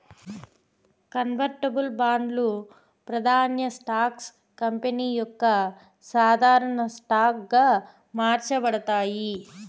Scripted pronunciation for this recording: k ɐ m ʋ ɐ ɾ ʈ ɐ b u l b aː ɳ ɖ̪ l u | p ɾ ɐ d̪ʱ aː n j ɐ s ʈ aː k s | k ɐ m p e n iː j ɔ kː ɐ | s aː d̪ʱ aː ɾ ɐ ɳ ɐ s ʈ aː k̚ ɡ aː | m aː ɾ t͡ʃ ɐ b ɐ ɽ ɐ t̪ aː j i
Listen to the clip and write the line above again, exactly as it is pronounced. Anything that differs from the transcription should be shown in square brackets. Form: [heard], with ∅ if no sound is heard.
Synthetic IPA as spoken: k ɐ [n] ʋ ɐ ɾ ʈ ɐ b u l b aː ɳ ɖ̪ l u | p ɾ ɐ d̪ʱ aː n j ɐ s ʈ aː k s | k ɐ m p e n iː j ɔ kː ɐ | s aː d̪ʱ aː ɾ ɐ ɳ ɐ s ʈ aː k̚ ɡ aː | m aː ɾ t͡ʃ ɐ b ɐ ɽ ɐ t̪ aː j i

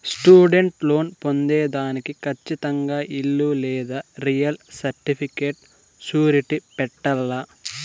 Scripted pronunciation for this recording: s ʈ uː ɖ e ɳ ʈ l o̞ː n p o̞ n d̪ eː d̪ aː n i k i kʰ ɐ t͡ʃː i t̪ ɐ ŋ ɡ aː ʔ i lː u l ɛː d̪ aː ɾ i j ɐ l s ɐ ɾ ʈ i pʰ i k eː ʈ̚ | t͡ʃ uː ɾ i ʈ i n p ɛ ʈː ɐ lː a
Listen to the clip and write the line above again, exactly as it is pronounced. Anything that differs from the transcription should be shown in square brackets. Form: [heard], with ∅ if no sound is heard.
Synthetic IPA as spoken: s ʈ uː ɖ e ɳ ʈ l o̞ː n p o̞ n d̪ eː d̪ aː n i k i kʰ ɐ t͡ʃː i t̪ ɐ ŋ ɡ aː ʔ i lː u l ɛː d̪ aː ɾ i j ɐ l s ɐ ɾ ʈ i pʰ i k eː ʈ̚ | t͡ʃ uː ɾ i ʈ i [∅] p ɛ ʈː ɐ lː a

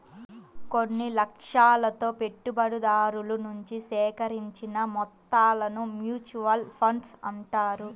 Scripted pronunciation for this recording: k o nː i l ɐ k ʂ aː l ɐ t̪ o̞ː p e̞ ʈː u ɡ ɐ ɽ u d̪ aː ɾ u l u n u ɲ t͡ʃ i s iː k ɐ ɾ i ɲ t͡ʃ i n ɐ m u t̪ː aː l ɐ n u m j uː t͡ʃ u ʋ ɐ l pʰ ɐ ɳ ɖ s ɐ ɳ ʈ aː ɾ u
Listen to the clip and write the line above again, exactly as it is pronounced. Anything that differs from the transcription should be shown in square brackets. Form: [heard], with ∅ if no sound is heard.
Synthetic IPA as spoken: k o nː i l ɐ k ʂ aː l ɐ t̪ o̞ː p e̞ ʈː u [b] ɐ ɽ u d̪ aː ɾ u l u n u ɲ t͡ʃ i s [ɛː] k ɐ ɾ i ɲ t͡ʃ i n ɐ m [ɔ] t̪ː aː l ɐ n u m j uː t͡ʃ u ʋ ɐ l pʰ ɐ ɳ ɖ s ɐ ɳ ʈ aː ɾ u

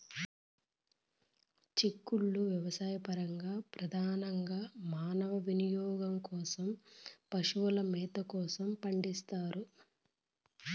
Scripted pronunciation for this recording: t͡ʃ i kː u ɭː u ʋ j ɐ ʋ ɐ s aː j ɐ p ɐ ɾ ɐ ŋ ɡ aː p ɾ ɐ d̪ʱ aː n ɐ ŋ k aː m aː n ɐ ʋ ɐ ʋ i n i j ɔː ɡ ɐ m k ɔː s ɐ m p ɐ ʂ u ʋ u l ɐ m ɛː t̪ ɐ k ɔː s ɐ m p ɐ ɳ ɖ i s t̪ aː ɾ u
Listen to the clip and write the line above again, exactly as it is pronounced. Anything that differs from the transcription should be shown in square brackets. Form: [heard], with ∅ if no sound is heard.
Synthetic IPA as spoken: t͡ʃ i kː u ɭː u ʋ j ɐ ʋ ɐ s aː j ɐ p ɐ ɾ ɐ ŋ ɡ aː p ɾ ɐ d̪ʱ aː n ɐ ŋ [ɡ] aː m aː n ɐ ʋ ɐ ʋ i n i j ɔː ɡ ɐ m k ɔː s ɐ m p ɐ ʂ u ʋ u l ɐ m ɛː t̪ ɐ k ɔː s ɐ m p ɐ ɳ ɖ i s t̪ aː ɾ u

